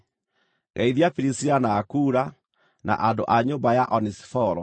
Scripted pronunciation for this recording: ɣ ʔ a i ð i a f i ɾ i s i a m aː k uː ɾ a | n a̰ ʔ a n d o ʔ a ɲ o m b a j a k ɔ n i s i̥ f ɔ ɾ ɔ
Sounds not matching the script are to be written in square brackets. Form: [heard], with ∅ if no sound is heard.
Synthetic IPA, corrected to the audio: ɣ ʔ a i ð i a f i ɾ i s i a [n] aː k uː ɾ a | n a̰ ʔ a n d o ʔ a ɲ o m b a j a [ʔ] ɔ n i s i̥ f ɔ ɾ ɔ